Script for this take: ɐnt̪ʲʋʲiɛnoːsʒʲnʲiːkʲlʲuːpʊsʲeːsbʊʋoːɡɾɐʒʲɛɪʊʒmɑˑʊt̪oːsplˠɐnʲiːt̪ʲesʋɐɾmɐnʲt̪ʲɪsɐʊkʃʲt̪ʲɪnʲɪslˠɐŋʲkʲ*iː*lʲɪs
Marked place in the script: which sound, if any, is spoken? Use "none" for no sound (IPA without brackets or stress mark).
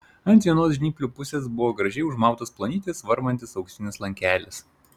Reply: æː